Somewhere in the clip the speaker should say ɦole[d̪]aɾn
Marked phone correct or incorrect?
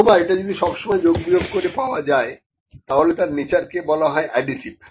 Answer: incorrect